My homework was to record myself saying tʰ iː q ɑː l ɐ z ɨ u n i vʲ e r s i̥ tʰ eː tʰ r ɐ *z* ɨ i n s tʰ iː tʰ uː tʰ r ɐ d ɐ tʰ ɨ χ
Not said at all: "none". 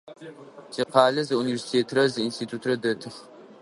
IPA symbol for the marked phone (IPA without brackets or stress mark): z